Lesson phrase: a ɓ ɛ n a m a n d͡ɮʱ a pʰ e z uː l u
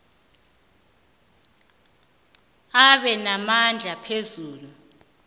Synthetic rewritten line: a ɓ ɛ n a m a n d͡ɮʱ a pʰ e z uː l u